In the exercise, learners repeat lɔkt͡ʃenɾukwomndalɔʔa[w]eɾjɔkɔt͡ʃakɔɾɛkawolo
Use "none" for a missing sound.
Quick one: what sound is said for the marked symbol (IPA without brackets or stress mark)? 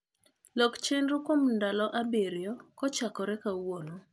b